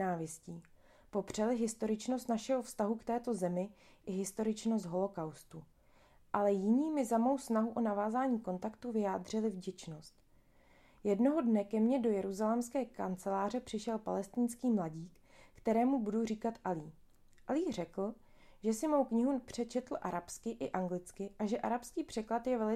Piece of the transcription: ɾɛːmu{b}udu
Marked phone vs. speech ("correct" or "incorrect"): correct